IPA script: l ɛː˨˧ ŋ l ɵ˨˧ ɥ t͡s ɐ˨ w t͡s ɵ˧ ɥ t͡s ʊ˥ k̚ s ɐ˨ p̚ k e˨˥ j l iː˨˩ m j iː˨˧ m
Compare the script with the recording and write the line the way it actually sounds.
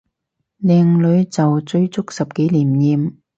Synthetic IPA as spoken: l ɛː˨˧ ŋ l ɵ˨˧ ɥ t͡s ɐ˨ w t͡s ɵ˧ ɥ t͡s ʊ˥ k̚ s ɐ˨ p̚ k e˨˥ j l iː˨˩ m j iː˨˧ m